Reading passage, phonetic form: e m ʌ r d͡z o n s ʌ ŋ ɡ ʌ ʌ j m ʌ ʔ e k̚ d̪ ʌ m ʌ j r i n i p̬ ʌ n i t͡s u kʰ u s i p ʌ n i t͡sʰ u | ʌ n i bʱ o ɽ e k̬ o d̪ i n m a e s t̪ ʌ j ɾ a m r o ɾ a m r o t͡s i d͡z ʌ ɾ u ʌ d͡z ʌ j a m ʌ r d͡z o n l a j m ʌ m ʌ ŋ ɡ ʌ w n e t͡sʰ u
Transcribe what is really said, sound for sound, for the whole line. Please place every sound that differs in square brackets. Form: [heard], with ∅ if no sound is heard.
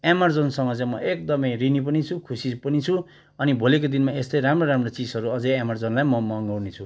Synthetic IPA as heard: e m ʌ r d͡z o n s ʌ ŋ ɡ ʌ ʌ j m ʌ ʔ e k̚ d̪ ʌ m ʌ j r i n i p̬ ʌ n i [t͡sʰ] u kʰ u s i p ʌ n i t͡sʰ u | ʌ n i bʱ o [l] e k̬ o d̪ i n m a e s t̪ ʌ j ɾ a m r o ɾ a m r o t͡s i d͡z ʌ ɾ u ʌ d͡z ʌ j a m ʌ r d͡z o n l a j m ʌ m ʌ ŋ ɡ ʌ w n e t͡sʰ u